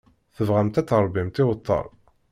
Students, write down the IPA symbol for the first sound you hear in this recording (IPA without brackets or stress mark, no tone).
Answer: θ